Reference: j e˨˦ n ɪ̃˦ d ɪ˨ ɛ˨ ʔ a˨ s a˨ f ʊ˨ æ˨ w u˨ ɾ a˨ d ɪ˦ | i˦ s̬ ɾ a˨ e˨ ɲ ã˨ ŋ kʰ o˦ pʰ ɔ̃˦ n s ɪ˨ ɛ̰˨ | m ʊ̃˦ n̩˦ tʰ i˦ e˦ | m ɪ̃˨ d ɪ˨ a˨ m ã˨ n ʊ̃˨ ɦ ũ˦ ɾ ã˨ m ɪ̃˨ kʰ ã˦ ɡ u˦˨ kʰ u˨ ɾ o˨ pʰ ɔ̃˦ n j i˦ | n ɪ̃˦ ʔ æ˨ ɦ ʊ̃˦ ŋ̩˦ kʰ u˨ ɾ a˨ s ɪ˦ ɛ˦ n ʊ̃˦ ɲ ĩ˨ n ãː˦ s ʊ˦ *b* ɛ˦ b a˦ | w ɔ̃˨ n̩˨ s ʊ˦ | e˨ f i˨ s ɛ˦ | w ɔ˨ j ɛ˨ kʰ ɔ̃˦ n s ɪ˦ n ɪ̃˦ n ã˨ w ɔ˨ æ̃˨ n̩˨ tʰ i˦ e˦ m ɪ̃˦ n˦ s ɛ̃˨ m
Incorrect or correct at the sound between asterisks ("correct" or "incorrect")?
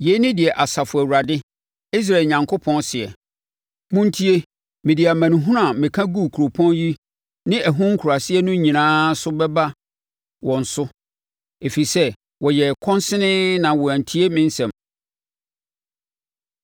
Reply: correct